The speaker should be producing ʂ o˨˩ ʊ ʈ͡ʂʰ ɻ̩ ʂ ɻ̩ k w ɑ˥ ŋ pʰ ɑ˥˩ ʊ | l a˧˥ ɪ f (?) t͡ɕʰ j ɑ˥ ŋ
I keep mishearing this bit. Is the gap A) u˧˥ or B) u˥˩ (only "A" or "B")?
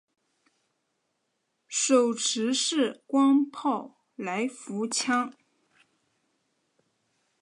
A